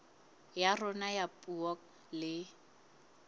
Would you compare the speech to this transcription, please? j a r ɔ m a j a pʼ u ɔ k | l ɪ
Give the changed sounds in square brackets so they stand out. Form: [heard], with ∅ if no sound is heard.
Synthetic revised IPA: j a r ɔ [n] a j a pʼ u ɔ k | l ɪ